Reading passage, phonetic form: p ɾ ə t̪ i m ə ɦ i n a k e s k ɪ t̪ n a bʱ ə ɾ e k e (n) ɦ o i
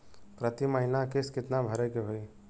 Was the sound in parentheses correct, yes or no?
no